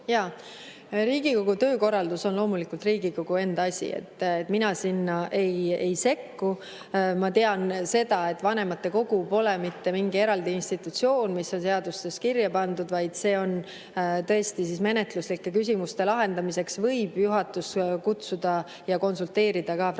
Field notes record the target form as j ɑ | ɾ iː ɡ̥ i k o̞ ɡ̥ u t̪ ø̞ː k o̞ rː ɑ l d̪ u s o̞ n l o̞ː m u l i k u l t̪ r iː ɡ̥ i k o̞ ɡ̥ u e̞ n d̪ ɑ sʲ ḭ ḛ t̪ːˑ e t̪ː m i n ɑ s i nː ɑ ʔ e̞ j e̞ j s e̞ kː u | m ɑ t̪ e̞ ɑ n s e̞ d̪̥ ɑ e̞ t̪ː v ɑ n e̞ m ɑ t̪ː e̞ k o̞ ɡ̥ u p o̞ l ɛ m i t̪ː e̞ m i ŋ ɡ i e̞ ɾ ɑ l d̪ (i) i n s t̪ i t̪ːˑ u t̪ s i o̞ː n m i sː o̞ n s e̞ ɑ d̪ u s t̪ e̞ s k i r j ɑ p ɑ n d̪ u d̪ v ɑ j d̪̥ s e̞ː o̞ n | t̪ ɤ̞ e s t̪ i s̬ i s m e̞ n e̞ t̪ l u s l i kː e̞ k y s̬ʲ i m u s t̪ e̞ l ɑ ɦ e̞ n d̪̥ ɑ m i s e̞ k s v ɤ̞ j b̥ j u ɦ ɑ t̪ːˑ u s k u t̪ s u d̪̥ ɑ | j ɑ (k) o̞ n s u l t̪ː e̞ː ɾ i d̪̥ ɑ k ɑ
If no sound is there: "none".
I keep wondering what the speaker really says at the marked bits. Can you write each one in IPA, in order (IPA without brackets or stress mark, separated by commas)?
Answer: i, k